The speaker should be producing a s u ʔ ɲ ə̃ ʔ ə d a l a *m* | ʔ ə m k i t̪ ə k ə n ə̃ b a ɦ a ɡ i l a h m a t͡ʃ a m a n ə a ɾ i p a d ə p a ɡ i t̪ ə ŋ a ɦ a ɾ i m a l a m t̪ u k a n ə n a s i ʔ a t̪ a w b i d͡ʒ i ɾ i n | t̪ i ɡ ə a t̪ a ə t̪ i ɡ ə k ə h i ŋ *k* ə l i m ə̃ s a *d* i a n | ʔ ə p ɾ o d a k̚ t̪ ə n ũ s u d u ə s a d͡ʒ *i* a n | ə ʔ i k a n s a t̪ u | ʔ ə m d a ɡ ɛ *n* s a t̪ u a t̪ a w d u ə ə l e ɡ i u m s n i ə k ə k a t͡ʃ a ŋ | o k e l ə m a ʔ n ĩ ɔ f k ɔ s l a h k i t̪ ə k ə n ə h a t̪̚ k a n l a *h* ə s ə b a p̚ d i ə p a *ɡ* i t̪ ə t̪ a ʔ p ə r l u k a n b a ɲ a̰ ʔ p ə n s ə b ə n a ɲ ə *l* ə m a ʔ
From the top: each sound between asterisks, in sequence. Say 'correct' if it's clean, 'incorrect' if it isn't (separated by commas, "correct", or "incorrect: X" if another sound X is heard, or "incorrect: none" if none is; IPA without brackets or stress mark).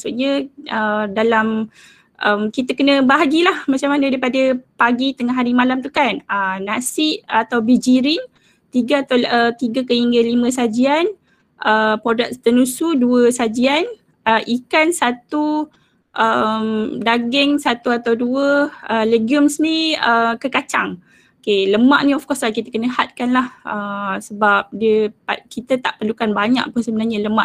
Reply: correct, incorrect: ɡ, incorrect: d͡ʒ, correct, incorrect: ŋ, correct, incorrect: k, correct